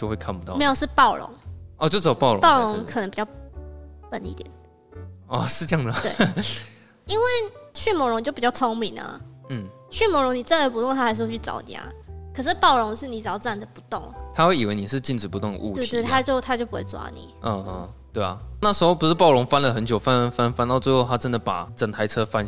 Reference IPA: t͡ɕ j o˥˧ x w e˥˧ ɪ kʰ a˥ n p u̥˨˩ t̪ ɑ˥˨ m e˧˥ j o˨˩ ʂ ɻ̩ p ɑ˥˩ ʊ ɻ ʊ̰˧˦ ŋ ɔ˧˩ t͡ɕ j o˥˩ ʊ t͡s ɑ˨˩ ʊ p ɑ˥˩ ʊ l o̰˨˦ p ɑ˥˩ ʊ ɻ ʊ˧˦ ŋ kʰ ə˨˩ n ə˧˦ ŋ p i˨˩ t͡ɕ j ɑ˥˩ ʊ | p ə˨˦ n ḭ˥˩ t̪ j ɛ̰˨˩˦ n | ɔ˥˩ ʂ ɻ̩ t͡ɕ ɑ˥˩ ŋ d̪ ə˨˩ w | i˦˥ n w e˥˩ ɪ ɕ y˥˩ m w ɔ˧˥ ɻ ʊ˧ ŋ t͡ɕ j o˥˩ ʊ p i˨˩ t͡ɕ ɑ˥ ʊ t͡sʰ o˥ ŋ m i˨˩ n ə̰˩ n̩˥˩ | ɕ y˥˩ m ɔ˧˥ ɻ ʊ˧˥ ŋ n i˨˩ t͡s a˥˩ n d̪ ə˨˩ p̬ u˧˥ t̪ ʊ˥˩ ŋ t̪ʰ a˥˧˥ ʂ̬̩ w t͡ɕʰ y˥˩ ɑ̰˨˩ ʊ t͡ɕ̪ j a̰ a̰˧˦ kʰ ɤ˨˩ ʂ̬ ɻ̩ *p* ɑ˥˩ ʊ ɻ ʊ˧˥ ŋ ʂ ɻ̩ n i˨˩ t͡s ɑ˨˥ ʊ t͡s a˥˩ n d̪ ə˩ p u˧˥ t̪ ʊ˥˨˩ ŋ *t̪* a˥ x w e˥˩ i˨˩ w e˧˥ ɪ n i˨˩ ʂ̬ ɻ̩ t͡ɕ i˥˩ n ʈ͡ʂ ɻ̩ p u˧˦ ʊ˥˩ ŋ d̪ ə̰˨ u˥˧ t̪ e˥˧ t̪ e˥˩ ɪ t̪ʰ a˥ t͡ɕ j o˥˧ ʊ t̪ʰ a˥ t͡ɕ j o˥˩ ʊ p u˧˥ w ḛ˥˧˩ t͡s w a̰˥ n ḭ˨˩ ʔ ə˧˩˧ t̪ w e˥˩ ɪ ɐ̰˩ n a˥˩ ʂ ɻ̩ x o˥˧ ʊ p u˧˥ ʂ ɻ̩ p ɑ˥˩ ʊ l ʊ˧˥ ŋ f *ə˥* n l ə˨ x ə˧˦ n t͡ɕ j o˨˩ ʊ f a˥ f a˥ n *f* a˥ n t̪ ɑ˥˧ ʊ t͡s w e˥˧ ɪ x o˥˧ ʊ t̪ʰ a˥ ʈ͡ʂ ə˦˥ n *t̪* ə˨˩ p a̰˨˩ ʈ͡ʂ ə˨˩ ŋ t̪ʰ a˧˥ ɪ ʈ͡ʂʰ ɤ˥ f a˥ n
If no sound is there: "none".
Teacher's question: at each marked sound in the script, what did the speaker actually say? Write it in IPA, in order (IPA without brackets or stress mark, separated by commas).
p, t̪ʰ, a˥, f, d̪